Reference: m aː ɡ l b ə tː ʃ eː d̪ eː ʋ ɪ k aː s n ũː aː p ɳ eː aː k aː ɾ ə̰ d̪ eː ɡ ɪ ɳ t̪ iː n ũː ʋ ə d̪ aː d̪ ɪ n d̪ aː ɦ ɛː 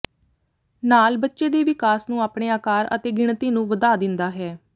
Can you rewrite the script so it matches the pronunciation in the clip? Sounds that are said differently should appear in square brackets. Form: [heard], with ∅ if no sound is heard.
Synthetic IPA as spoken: [n] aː [∅] l b ə tː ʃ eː d̪ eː ʋ ɪ k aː s n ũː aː p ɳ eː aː k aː ɾ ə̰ [t̪] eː ɡ ɪ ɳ t̪ iː n ũː ʋ ə d̪ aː d̪ ɪ n d̪ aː ɦ ɛː